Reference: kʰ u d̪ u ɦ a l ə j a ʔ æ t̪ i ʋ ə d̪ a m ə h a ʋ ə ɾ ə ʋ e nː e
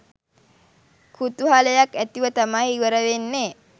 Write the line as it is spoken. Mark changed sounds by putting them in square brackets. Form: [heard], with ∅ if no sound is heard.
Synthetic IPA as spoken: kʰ u [t̪] u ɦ a l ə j a [k] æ t̪ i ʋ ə [t̪] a m [a] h [i] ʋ ə ɾ ə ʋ e nː e

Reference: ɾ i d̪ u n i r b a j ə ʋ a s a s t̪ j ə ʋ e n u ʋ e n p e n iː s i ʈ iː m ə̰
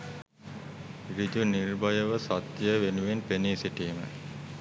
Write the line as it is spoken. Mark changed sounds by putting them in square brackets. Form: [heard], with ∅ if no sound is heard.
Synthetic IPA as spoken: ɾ i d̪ u n i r b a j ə ʋ [ə] s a [∅] t̪ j ə ʋ e n u ʋ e n p e n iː s i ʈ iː m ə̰

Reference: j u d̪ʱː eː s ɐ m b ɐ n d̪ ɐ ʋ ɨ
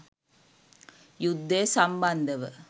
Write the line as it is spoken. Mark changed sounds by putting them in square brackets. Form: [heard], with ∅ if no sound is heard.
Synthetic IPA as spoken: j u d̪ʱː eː s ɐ m b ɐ n d̪ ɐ ʋ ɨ

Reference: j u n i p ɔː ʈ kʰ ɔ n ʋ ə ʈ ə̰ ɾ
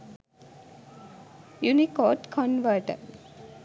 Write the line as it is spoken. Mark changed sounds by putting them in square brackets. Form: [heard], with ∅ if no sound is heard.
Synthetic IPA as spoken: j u n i [k] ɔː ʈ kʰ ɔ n ʋ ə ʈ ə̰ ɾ

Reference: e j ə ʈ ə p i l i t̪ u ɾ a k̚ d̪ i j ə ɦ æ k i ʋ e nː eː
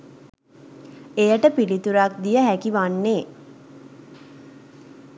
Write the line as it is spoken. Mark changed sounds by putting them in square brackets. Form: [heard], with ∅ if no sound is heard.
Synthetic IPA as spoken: e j ə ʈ ə p i l i t̪ u ɾ a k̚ d̪ i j ə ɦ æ k i ʋ [a] nː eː

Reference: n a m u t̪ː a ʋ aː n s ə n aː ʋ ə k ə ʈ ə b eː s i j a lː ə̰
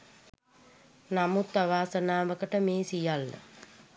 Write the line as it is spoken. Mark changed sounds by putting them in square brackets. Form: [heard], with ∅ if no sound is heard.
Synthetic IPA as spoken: n a m u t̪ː a ʋ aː [∅] s ə n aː ʋ ə k ə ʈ ə [m] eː s i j a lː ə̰

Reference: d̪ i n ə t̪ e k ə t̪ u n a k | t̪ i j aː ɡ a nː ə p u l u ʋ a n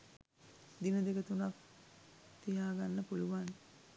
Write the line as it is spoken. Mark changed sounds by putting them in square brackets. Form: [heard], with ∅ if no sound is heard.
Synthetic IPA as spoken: d̪ i n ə [d̪] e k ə t̪ u n a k | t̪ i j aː ɡ a nː ə p u l u ʋ a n

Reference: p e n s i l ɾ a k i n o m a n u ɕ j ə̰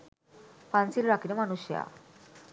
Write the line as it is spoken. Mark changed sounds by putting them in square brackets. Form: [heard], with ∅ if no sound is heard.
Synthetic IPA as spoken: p [a] n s i l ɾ a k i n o m a n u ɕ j [a̰]

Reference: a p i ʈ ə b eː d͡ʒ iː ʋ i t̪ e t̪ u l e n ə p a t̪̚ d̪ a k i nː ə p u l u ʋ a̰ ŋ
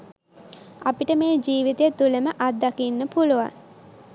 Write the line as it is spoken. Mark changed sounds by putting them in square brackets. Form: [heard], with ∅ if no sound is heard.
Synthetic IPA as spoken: a p i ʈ ə [m] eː d͡ʒ iː ʋ i t̪ e t̪ u l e [m] ə [ʔ] a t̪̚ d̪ a k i nː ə p u l u ʋ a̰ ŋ

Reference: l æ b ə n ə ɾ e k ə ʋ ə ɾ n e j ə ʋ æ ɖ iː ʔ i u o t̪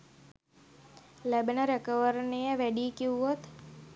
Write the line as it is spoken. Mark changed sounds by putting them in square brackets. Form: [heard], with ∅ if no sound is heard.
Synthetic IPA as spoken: l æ b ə n ə ɾ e k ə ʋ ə ɾ n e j ə ʋ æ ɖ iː [k] i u o t̪

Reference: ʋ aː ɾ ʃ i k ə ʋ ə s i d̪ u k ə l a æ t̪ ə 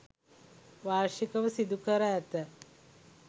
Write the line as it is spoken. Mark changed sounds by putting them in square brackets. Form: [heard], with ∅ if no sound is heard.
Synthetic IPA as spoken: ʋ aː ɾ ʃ i k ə ʋ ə s i d̪ u k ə [ɾ] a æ t̪ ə

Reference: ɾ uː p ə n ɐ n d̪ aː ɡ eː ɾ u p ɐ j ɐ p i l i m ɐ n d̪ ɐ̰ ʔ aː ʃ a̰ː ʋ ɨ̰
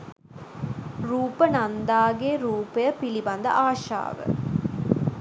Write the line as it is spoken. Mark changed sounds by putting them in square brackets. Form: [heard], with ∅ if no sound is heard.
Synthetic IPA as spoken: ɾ uː p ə n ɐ n d̪ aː ɡ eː ɾ [uː] p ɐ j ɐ p i l i [b] ɐ n d̪ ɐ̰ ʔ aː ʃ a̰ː ʋ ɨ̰

